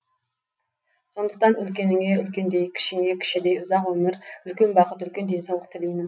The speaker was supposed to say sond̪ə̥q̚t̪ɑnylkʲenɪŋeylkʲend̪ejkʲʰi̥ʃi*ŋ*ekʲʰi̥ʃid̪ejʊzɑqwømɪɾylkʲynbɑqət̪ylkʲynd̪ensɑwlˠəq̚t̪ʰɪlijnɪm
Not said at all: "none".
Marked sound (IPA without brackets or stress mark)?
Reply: ŋ